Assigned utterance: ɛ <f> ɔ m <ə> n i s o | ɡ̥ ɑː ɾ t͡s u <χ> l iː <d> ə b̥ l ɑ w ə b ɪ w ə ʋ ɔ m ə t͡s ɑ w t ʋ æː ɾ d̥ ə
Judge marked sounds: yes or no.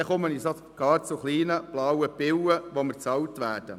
no, yes, yes, no

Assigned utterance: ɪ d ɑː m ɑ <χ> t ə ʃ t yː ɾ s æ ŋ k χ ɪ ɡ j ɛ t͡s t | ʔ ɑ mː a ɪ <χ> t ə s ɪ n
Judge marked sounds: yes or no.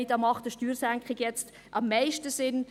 yes, no

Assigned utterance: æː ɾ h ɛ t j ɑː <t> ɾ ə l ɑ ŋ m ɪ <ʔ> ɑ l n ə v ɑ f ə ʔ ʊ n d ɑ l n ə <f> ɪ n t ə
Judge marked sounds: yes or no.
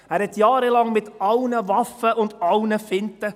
no, no, yes

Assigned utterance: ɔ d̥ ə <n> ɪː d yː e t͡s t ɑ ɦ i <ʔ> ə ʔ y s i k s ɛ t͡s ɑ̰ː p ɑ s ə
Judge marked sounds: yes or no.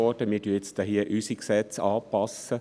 no, no

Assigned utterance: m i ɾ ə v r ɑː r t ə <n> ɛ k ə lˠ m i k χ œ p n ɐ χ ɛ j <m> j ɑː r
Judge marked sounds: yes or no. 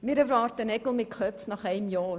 yes, yes

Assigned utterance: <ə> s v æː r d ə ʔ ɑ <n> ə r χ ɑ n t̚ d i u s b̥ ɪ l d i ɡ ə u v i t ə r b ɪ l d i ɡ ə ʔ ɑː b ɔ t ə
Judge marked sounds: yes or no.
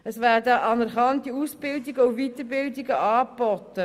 yes, yes

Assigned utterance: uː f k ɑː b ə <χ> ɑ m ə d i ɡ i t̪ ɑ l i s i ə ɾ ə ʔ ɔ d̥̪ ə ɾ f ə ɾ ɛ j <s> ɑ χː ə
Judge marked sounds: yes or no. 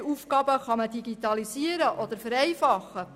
yes, no

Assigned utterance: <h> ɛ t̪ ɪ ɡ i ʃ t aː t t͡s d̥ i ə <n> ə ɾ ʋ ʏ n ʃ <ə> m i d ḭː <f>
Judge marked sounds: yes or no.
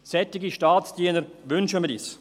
no, yes, yes, no

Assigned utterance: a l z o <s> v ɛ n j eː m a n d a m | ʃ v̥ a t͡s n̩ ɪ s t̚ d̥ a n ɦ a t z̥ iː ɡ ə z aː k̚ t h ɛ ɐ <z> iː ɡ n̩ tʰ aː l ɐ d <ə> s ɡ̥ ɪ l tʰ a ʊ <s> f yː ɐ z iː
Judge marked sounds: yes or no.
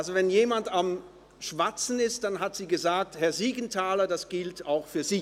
no, yes, no, no

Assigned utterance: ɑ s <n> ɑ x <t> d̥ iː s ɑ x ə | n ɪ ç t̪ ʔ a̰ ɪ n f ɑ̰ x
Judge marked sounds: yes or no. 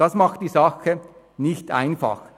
no, yes

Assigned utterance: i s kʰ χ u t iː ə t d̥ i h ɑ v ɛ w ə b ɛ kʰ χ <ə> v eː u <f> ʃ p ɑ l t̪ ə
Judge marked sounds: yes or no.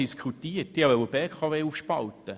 no, yes

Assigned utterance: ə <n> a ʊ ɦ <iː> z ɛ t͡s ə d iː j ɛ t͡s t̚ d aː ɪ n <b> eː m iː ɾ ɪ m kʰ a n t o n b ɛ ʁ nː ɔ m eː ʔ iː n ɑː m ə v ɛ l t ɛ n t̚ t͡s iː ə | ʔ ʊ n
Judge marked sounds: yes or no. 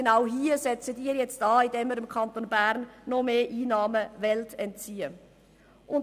yes, yes, no

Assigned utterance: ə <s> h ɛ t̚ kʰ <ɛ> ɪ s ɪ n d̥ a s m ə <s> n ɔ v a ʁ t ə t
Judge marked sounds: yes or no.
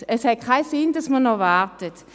yes, no, no

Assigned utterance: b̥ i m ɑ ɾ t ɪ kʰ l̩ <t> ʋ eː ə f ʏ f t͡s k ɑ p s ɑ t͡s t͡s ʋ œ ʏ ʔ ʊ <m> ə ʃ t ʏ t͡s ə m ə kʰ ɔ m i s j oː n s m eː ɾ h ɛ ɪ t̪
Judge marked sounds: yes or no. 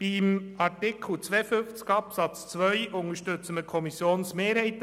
no, no

